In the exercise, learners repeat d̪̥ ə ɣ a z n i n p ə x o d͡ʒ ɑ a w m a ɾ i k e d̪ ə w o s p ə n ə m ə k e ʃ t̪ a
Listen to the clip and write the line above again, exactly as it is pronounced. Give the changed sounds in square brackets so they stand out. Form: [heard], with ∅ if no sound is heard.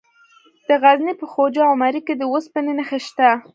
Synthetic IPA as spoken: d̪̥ ə ɣ a z n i [∅] p ə x o d͡ʒ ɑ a w m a ɾ i k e d̪ ə w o s p ə n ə [n] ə [x] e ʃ t̪ a